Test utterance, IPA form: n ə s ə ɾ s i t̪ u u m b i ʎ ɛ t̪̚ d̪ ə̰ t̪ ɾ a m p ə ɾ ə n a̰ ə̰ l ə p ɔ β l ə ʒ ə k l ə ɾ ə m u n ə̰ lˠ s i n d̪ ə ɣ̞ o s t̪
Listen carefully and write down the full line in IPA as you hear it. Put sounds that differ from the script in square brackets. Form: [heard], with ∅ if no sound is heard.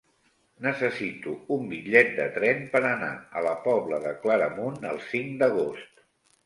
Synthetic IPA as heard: n ə s ə [∅] s i t̪ u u m b i ʎ ɛ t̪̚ d̪ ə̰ t̪ ɾ [ɛ] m p ə ɾ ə n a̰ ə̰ l ə p ɔ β l ə [ð] ə k l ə ɾ ə m u n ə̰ lˠ s i [ŋ] d̪ ə ɣ̞ o s t̪